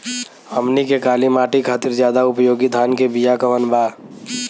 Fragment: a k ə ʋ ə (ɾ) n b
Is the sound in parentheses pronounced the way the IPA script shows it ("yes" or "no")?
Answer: no